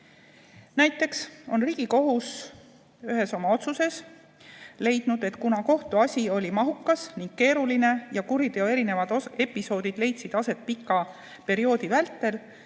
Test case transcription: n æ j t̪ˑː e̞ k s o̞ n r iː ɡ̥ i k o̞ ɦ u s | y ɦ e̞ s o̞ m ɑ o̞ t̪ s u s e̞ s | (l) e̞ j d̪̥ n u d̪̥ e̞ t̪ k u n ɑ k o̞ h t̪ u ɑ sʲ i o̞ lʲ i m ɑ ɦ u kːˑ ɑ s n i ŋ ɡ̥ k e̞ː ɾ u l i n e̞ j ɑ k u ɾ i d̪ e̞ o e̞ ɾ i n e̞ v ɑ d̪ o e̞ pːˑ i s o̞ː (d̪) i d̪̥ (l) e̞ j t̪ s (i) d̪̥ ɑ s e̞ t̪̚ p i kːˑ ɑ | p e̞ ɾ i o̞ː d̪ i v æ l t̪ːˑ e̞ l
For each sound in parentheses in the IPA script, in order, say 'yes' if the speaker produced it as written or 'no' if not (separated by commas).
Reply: yes, yes, yes, yes